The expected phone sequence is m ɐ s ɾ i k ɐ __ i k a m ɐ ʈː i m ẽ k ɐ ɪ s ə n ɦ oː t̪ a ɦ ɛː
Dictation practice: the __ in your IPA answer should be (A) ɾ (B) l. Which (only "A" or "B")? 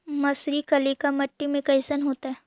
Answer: B